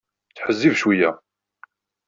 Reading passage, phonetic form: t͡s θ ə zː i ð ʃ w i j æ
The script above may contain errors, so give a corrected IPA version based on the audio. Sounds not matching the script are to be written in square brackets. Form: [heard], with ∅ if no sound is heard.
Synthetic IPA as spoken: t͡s [ħ] ə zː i [v] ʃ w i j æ